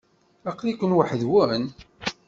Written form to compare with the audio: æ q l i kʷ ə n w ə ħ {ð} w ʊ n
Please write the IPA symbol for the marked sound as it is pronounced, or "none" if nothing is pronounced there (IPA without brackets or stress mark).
ð